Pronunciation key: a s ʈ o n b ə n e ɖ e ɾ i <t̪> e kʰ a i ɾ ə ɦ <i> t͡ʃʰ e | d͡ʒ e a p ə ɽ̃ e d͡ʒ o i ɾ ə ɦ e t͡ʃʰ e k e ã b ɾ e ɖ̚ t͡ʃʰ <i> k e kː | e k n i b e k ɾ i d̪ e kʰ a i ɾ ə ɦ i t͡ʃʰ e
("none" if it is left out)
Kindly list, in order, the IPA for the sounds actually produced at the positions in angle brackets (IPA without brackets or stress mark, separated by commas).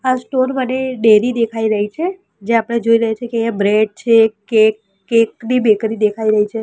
d̪, i, e